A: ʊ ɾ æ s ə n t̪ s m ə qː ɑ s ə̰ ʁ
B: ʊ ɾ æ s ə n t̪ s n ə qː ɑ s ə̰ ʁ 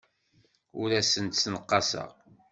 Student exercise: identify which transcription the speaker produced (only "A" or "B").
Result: B